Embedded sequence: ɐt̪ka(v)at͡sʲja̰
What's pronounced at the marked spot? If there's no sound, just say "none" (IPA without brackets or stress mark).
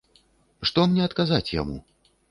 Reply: z